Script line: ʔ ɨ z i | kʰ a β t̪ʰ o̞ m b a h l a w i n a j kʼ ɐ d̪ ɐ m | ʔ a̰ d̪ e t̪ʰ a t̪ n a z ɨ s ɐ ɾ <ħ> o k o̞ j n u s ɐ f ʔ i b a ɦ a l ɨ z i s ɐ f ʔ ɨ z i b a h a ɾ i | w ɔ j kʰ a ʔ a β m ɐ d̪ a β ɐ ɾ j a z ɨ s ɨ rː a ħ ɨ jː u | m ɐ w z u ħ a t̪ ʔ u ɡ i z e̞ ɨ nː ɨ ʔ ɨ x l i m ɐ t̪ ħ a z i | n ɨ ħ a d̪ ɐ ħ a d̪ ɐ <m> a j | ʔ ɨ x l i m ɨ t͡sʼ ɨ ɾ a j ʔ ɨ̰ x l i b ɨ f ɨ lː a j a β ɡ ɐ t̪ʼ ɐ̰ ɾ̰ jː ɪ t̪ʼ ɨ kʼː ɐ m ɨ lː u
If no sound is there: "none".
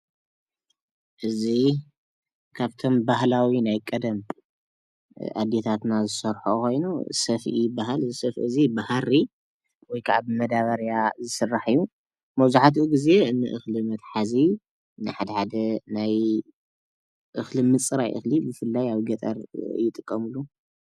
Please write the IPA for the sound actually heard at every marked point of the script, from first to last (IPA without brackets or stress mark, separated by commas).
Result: ħ, n